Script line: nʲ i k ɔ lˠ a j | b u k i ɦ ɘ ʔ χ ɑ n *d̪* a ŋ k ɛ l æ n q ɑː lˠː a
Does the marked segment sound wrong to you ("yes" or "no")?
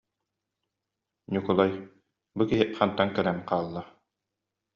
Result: yes